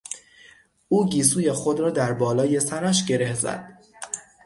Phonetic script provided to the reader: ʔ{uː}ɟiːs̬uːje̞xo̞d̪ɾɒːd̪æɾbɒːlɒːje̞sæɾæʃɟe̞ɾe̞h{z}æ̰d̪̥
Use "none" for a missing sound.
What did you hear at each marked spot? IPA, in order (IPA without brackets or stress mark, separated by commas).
uː, z